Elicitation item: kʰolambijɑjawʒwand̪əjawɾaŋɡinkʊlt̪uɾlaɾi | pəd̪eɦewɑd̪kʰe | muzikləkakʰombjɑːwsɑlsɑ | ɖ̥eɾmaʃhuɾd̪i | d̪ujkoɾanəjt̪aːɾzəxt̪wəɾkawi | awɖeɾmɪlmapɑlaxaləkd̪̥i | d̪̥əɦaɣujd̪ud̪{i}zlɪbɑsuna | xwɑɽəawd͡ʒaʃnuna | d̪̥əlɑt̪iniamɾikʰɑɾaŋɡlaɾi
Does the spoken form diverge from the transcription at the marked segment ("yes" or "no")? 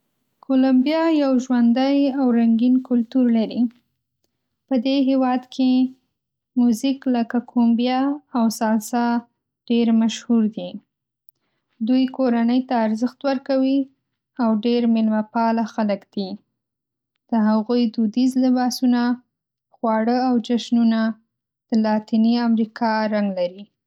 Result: no